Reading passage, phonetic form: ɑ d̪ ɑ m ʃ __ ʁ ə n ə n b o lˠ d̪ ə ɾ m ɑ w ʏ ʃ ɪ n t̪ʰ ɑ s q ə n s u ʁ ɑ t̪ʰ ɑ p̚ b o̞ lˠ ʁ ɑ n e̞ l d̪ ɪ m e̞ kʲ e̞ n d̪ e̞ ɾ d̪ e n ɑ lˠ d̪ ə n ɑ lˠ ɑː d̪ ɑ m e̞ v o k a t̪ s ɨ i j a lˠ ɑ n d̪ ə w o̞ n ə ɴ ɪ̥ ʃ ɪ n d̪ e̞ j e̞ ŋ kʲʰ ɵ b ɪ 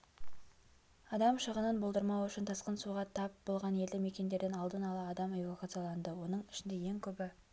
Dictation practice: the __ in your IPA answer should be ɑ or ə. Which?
ə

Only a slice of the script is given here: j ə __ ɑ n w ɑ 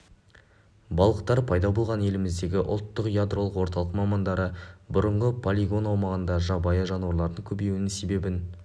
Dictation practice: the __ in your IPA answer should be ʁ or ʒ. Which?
ʒ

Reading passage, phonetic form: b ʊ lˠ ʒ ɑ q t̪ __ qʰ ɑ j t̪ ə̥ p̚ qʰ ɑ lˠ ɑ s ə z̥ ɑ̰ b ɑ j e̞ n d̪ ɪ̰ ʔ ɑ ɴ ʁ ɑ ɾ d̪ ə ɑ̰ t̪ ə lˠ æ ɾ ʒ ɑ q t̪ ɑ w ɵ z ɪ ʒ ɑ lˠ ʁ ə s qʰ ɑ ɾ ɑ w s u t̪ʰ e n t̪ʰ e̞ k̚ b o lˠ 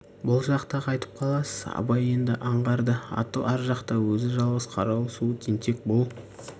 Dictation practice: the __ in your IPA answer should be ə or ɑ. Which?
ɑ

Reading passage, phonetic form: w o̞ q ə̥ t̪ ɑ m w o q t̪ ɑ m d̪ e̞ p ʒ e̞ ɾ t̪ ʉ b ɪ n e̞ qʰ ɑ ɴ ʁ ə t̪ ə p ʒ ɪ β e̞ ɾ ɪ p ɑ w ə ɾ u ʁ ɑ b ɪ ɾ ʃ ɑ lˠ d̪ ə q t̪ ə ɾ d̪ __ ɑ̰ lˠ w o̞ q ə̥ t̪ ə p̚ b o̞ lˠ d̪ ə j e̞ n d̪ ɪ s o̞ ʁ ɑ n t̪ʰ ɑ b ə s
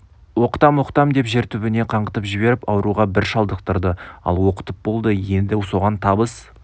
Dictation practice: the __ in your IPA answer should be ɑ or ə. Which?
ə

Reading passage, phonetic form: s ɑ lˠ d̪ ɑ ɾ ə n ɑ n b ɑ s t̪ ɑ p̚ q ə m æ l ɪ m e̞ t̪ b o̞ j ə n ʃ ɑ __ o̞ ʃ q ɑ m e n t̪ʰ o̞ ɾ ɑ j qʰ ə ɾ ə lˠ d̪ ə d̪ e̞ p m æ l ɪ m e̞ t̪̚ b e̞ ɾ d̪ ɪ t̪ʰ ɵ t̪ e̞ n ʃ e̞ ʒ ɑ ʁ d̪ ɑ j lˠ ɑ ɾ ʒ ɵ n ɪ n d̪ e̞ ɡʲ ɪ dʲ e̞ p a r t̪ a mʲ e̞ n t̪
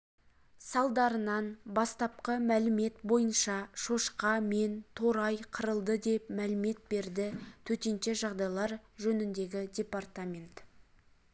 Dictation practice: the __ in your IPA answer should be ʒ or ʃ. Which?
ʃ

